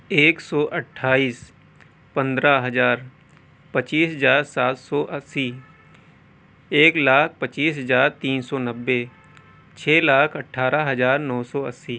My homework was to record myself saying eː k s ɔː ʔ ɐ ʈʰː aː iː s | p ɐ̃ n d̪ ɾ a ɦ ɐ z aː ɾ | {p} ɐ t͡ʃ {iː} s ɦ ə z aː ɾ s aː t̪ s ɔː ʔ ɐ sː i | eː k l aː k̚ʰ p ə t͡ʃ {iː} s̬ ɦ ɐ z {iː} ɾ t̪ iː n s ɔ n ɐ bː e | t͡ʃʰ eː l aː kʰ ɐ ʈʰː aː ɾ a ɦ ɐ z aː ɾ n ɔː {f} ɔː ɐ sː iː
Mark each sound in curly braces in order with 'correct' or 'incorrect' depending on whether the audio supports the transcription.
correct, correct, correct, incorrect: aː, incorrect: s

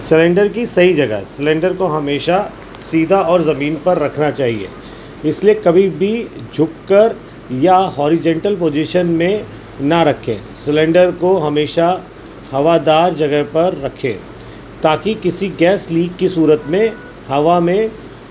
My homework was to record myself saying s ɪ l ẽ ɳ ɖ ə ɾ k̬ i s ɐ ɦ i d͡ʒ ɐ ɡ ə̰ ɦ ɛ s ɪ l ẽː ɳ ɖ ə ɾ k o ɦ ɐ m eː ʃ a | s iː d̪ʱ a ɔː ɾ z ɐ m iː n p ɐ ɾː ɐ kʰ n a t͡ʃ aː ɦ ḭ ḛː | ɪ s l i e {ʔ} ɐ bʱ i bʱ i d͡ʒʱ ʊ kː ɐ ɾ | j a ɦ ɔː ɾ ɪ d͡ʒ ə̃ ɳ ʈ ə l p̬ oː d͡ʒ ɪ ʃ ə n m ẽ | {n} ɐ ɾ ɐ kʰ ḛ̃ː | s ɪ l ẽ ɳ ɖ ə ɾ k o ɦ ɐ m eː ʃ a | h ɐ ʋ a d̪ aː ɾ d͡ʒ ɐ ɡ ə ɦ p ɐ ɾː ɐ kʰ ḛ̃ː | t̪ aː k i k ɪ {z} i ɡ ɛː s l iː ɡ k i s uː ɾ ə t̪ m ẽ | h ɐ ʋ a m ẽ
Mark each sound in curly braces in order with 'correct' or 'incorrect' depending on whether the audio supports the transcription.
incorrect: k, correct, incorrect: s

